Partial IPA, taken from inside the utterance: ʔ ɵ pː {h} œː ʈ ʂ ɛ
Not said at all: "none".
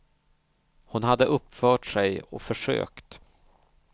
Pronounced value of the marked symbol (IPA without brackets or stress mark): f